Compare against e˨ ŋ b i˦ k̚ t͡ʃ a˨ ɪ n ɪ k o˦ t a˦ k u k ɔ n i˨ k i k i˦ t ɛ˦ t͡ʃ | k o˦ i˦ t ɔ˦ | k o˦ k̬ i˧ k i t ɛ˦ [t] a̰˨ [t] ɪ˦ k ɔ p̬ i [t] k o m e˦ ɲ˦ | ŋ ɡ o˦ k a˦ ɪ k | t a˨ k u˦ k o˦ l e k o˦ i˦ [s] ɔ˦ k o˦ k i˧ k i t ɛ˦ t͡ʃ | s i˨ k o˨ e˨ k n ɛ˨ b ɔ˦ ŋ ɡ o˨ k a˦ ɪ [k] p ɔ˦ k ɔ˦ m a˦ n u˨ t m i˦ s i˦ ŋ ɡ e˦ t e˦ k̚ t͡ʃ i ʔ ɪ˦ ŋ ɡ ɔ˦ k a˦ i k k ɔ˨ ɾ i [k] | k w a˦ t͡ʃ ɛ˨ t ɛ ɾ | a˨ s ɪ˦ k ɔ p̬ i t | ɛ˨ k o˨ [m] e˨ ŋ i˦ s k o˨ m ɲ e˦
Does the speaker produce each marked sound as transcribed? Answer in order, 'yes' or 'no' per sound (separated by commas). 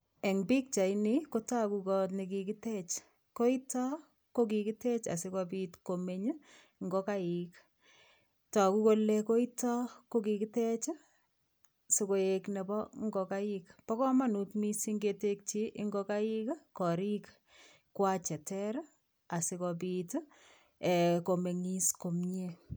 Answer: no, no, yes, no, yes, yes, yes